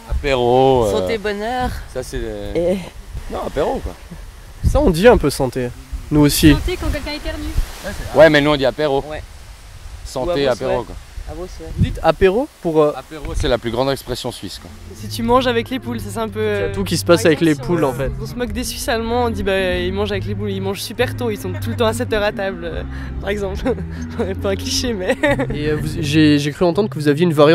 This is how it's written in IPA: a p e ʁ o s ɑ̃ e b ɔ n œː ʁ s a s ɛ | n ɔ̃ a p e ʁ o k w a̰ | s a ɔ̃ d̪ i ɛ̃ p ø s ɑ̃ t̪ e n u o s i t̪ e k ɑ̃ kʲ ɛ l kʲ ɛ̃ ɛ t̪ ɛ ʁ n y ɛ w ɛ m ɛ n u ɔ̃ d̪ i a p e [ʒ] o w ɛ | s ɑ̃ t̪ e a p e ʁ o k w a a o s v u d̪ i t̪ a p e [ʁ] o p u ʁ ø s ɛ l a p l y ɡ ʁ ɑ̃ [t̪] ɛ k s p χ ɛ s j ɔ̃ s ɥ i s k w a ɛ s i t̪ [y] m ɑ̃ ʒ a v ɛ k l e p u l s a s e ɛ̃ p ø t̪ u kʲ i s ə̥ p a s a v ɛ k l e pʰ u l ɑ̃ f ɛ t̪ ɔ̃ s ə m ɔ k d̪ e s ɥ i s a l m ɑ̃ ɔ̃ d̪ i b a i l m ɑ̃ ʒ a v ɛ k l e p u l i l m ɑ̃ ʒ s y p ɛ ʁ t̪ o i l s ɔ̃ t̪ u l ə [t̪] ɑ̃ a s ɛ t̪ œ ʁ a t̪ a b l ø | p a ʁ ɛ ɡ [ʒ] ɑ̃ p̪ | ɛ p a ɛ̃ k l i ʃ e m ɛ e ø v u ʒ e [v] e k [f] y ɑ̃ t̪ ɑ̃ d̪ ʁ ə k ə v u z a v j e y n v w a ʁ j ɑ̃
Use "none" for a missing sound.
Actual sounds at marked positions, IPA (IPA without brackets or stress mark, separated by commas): ʁ, ʁ, d̪, y, t̪, z, ʒ, χ